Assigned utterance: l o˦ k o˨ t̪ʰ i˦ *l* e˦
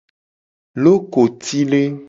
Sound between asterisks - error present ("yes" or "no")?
no